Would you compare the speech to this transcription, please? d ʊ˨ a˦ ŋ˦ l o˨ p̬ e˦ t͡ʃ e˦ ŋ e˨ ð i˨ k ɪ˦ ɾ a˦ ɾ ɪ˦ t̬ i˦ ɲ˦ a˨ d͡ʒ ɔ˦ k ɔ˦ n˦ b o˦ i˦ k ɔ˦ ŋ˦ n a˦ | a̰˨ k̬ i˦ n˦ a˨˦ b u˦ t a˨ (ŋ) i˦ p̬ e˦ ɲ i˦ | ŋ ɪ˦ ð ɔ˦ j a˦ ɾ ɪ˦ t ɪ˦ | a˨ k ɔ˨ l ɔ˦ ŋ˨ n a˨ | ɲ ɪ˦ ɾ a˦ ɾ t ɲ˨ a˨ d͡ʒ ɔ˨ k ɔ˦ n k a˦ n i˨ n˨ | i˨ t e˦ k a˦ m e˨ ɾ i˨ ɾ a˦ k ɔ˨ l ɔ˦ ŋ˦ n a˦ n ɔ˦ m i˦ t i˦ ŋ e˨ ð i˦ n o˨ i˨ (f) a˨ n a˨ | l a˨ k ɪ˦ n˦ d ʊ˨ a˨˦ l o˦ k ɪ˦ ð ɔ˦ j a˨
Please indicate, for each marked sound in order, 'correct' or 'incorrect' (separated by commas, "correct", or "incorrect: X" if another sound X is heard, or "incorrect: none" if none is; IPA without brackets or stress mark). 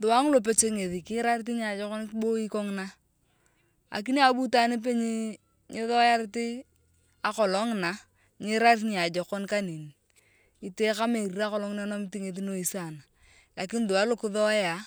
incorrect: n, incorrect: s